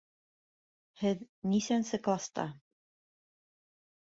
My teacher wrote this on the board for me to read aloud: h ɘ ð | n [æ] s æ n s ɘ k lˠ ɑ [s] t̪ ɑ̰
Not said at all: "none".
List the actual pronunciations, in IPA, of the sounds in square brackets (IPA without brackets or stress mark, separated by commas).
i, s